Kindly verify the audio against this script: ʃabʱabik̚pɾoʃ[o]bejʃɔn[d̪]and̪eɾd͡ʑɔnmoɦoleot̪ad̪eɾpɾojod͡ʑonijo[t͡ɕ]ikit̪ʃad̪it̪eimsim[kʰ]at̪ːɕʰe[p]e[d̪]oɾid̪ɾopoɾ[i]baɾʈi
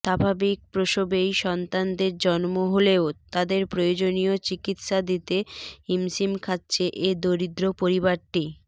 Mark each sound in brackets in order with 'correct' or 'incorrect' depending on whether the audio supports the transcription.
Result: correct, incorrect: t̪, correct, correct, incorrect: ʔ, correct, correct

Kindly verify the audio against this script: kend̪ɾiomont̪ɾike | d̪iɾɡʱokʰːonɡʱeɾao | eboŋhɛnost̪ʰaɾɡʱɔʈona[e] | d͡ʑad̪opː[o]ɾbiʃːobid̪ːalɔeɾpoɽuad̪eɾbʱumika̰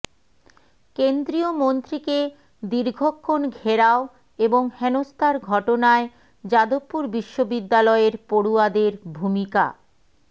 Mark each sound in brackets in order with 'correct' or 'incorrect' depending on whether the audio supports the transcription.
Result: correct, incorrect: u

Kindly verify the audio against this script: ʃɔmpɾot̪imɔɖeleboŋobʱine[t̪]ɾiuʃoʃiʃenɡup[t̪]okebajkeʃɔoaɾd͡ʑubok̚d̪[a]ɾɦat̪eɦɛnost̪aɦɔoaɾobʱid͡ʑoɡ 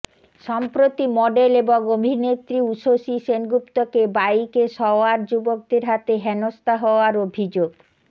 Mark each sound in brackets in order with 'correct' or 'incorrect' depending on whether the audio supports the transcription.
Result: correct, correct, incorrect: e

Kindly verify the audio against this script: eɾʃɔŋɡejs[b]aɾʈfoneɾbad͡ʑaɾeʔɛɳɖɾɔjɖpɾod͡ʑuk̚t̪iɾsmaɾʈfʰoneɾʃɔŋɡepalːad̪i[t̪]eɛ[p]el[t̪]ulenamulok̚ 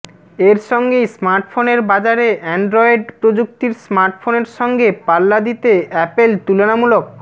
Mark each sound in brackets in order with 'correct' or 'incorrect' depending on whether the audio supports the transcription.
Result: incorrect: m, correct, correct, correct

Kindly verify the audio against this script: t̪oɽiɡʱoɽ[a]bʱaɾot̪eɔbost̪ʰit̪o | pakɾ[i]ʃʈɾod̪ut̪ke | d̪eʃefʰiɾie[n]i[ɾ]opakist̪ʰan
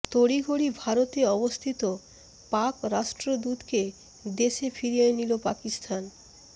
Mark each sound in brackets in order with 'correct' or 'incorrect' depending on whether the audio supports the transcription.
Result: incorrect: i, incorrect: a, correct, incorrect: l

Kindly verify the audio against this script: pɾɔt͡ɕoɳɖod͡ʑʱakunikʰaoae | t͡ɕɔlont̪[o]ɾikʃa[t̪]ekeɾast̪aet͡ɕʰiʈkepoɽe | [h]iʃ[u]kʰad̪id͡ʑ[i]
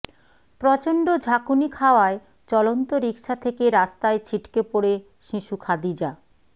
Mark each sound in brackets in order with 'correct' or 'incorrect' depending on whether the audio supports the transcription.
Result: correct, incorrect: t̪ʰ, incorrect: ʃ, correct, incorrect: a

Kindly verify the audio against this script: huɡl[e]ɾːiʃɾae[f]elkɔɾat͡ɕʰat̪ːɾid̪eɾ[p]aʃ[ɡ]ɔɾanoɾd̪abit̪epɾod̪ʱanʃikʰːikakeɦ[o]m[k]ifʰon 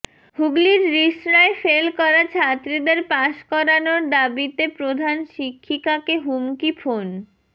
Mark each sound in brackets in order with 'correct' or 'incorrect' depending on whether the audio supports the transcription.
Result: incorrect: i, correct, correct, incorrect: k, incorrect: u, correct

